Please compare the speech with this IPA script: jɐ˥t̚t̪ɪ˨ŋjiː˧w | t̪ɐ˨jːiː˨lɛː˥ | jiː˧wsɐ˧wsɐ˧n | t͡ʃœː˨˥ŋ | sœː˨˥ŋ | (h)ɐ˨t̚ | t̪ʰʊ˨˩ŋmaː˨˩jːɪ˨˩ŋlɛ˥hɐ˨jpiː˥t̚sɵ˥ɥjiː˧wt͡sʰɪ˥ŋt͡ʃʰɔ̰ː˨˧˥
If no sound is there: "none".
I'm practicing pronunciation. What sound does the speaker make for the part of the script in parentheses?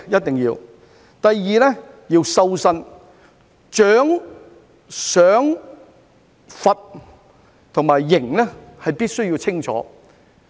f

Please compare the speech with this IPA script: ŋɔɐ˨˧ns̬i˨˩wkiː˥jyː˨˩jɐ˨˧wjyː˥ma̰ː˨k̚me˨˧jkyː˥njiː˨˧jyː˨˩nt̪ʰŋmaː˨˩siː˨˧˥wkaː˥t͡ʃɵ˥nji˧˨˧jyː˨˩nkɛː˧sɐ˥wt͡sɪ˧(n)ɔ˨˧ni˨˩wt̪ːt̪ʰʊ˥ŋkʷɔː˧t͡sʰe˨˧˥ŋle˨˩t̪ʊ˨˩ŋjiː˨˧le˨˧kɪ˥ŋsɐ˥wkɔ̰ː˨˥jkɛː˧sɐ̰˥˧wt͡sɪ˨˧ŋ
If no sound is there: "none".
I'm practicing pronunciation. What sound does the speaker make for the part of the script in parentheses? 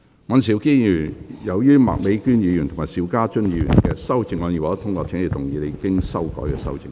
ŋ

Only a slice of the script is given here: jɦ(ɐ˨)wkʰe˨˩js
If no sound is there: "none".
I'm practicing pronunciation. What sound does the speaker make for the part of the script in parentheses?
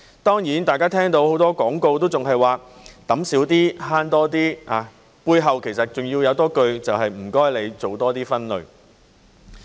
ɐ˨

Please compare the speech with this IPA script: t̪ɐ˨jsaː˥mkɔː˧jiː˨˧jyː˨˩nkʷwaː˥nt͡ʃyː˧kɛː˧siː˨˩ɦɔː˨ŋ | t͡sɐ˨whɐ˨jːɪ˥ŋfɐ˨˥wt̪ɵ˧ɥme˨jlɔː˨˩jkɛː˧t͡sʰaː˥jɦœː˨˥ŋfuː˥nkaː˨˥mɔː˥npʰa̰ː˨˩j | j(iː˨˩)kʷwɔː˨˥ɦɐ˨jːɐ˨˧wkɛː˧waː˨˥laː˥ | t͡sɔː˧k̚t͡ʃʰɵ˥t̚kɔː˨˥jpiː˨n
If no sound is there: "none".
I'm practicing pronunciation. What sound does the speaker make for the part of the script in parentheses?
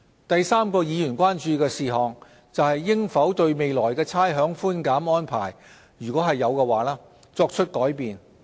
yː˨˩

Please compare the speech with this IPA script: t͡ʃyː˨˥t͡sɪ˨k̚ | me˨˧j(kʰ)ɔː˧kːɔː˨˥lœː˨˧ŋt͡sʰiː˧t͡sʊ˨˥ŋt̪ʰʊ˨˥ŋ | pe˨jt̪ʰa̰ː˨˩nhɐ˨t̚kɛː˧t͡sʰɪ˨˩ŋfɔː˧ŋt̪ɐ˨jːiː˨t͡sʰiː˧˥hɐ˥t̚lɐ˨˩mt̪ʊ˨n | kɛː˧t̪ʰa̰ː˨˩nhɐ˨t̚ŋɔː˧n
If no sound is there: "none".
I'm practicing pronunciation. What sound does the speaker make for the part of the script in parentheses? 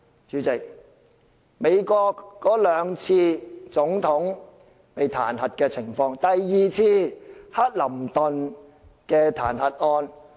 k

